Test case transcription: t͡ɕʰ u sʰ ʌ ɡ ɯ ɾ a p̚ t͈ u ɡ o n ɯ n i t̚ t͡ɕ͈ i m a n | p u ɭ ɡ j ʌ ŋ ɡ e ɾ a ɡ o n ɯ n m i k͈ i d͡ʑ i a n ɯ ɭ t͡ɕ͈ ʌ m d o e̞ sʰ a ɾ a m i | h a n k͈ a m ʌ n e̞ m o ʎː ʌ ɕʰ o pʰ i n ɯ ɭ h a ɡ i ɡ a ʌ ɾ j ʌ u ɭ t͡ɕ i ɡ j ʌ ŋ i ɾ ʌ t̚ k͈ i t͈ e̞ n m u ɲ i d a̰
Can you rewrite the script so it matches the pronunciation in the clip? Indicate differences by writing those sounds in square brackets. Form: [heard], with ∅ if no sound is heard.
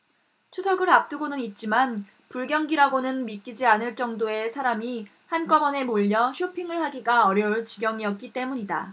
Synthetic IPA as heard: t͡ɕʰ u sʰ ʌ ɡ ɯ ɾ a p̚ t͈ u ɡ o n ɯ n i t̚ t͡ɕ͈ i m a n | p u ɭ ɡ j ʌ ŋ ɡ [i] ɾ a ɡ o n ɯ n m i k͈ i d͡ʑ i a n ɯ ɭ t͡ɕ͈ ʌ [ŋ] d o e̞ sʰ a ɾ a m i | h a n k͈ [ʌ] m ʌ n e̞ m o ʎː ʌ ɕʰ o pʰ i [ŋ] ɯ ɭ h a ɡ i ɡ a ʌ ɾ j ʌ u ɭ t͡ɕ i ɡ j ʌ ŋ i [∅] ʌ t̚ k͈ i t͈ e̞ [∅] m u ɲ i d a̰